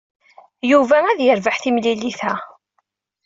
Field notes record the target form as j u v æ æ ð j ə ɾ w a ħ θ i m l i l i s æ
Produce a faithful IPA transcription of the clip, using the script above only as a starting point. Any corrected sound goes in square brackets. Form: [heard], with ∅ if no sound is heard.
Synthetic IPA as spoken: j u v æ æ ð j ə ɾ [v] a ħ θ i m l i l i [θ] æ